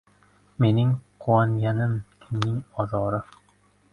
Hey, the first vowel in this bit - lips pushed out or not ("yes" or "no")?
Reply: no